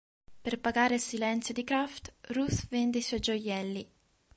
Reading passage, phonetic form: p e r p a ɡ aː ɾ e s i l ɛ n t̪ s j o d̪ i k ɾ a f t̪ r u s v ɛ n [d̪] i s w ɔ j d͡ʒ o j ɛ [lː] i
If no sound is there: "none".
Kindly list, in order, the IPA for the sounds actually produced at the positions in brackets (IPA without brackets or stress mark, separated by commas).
d̪, lː